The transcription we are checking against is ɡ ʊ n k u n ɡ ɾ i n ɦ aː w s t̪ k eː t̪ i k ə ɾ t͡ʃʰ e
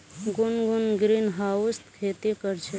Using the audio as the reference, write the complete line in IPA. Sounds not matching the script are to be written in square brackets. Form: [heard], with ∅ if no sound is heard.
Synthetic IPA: ɡ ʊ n [ɡ] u n ɡ ɾ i n ɦ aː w s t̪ [kʰ] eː t̪ i k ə ɾ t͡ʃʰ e